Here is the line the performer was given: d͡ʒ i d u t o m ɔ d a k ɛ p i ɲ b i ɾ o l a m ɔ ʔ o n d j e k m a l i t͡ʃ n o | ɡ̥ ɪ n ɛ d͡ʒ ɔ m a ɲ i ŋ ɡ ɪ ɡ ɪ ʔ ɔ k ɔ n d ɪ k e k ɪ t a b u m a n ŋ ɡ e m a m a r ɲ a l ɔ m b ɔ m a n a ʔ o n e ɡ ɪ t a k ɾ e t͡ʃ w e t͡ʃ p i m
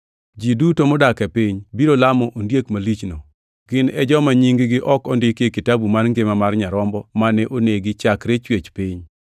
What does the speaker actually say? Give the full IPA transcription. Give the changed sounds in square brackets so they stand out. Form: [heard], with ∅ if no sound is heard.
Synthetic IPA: d͡ʒ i d u t o m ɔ d a k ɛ p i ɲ b i ɾ o l a m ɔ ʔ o n d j e k m a l i t͡ʃ n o | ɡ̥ ɪ n ɛ d͡ʒ ɔ m a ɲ i ŋ ɡ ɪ ɡ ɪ ʔ ɔ k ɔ n d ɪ k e k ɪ t a b u m a n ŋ ɡ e m a m a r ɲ a [ɾ] ɔ m b ɔ m a n [ɛ] ʔ o n e ɡ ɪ [t͡ʃ] a k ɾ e t͡ʃ w e t͡ʃ p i [ɲ]